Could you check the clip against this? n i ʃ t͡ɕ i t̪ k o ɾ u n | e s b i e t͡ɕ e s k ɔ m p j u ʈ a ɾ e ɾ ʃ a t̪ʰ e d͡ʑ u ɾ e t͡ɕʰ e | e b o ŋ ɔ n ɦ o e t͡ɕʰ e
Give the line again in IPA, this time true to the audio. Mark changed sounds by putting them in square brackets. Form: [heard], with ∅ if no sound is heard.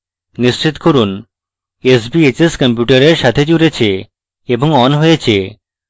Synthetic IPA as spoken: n i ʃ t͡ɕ i t̪ k o ɾ u n | e s b i e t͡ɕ e s k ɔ m p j u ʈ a ɾ e ɾ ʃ a t̪ʰ e d͡ʑ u ɾ e t͡ɕʰ e | e b o ŋ ɔ n ɦ o e t͡ɕʰ e